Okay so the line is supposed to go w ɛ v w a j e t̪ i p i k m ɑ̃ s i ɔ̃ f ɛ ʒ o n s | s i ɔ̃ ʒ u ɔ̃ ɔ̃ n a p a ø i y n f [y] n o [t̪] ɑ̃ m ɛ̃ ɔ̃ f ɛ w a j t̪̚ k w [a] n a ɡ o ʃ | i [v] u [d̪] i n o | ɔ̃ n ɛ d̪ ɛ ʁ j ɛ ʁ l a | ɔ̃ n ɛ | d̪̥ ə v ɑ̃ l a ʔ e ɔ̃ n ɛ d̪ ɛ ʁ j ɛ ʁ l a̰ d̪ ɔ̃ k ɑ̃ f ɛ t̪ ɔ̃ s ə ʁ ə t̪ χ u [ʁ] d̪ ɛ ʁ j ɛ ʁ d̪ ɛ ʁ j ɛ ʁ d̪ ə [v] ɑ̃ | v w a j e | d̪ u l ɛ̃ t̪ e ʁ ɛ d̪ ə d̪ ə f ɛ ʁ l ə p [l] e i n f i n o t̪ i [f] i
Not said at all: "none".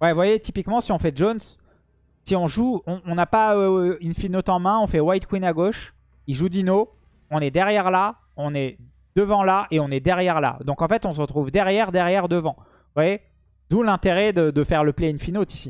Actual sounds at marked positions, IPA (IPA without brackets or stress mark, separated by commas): i, t̪, i, ʒ, d̪, v, v, l, s